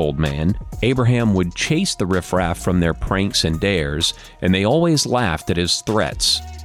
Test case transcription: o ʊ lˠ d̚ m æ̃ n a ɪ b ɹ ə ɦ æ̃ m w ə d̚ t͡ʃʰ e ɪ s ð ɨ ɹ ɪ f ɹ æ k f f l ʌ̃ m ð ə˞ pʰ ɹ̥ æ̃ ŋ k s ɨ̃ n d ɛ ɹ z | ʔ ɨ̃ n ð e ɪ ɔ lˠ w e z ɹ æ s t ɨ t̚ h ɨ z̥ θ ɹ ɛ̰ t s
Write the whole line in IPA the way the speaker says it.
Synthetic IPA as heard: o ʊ lˠ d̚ m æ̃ n e ɪ b ɹ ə ɦ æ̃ m w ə d̚ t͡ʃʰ e ɪ s ð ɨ ɹ ɪ f ɹ æ f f ɹ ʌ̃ m ð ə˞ pʰ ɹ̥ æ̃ ŋ k s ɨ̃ n d ɛ ɹ z | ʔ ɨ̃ n ð e ɪ ɔ lˠ w i z l æ f t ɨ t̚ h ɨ z̥ θ ɹ ɛ̰ t s